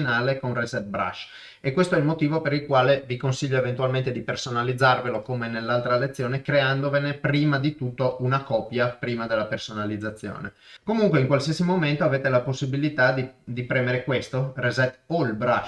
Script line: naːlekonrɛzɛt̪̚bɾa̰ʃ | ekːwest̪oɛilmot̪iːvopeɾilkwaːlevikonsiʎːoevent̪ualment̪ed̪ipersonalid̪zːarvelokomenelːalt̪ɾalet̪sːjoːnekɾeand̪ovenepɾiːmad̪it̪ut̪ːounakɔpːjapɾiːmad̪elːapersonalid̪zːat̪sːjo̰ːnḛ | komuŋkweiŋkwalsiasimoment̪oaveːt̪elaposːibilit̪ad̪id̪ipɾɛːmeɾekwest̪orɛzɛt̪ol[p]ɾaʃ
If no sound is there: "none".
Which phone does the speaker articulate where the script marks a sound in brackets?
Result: b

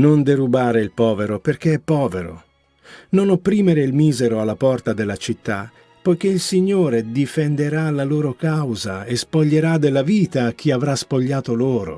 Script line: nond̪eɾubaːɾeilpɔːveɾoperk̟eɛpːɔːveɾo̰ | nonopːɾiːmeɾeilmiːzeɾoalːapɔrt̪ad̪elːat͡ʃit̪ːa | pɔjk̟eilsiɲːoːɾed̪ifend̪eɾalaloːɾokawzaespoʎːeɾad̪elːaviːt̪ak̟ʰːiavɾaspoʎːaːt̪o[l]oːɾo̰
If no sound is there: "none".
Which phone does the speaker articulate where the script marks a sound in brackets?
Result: l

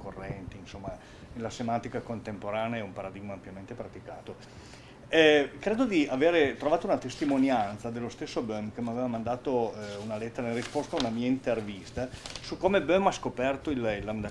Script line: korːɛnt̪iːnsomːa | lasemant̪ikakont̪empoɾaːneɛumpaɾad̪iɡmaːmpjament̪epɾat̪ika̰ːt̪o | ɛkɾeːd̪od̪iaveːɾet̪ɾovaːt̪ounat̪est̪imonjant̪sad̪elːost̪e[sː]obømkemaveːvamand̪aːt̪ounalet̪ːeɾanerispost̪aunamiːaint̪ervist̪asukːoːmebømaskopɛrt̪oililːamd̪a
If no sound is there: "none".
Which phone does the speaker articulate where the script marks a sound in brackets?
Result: sː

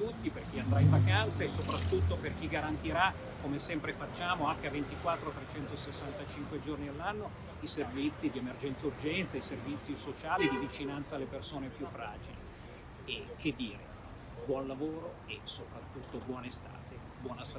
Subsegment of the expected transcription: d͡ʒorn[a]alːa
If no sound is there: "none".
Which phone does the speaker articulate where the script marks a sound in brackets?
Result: i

